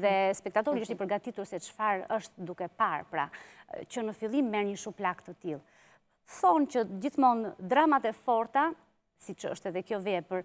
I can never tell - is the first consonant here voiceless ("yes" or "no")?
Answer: no